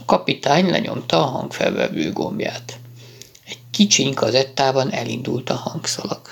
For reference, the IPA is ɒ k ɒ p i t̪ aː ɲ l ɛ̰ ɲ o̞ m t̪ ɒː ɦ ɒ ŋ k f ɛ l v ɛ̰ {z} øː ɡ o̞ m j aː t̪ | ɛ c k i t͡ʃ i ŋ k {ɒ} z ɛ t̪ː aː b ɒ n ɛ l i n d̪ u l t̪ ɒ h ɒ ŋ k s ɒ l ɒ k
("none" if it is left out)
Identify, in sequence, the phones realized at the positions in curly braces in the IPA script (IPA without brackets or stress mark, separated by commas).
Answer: v, ɒ